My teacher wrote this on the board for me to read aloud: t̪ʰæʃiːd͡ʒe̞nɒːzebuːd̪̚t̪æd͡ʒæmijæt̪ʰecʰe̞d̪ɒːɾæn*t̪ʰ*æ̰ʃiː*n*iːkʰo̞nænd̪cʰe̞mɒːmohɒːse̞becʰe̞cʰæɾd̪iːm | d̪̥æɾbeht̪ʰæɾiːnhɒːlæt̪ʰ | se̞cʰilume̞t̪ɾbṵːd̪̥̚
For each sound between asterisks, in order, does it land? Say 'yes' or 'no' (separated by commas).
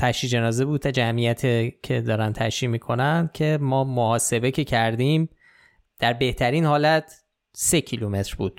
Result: yes, no